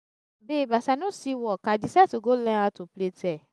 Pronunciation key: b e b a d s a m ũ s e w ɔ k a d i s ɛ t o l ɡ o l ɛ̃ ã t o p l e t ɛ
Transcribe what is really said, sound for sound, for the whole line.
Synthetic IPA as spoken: b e b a s a n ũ s i w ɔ k a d i s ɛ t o ɡ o l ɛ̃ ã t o p l e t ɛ